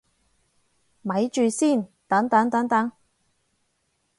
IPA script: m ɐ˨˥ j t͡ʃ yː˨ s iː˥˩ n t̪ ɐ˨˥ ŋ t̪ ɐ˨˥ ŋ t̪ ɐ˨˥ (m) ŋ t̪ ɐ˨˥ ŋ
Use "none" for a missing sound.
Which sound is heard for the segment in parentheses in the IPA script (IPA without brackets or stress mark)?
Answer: none